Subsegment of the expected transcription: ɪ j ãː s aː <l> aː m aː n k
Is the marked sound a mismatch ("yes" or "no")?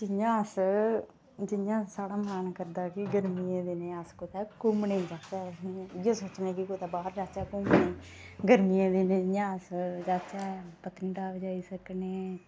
yes